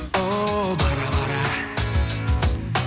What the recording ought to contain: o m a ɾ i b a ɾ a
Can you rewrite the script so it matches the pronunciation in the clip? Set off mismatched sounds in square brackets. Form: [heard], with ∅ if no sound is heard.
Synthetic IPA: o [b] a ɾ [a] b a ɾ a